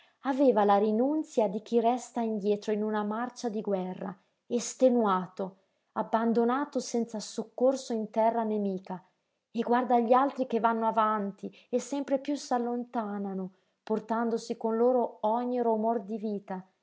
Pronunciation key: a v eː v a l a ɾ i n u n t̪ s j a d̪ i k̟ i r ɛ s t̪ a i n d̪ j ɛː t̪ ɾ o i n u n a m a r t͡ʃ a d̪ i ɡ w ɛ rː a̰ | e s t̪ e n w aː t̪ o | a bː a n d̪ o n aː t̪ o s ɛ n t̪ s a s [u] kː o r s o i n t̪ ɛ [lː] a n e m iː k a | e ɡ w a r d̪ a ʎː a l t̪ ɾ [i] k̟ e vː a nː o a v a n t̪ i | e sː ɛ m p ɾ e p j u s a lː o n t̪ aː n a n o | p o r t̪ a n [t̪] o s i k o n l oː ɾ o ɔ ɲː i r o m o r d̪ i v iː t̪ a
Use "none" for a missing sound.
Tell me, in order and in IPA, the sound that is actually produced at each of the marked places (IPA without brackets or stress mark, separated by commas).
o, rː, i, d̪